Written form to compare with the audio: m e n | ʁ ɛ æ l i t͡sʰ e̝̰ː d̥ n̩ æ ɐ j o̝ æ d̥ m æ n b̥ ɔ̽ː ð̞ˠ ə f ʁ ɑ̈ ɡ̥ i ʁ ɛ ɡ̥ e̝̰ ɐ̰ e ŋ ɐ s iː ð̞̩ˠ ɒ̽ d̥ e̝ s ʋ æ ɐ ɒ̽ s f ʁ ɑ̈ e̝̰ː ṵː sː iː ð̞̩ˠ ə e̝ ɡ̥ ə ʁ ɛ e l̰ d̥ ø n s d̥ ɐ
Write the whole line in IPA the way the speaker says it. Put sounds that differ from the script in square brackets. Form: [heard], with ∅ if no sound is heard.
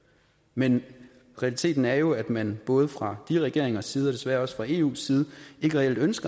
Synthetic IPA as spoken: m e n | ʁ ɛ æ l i t͡sʰ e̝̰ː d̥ n̩ æ ɐ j o̝ æ d̥ m æ n b̥ ɔ̽ː ð̞ˠ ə f ʁ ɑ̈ [d̥] i ʁ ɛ ɡ̥ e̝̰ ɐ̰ e ŋ ɐ s iː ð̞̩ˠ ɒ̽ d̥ e̝ s ʋ æ ɐ ɒ̽ s f ʁ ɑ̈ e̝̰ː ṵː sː iː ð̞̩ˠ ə e̝ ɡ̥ ə ʁ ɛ e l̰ d̥ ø n s [ɡ̥] ɐ